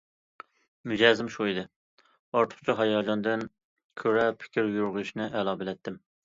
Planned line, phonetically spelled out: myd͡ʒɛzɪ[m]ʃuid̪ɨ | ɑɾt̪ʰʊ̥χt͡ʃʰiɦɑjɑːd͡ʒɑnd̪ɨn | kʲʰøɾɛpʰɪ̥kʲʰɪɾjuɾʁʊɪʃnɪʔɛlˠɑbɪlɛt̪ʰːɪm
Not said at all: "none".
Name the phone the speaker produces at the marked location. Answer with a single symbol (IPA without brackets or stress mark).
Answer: m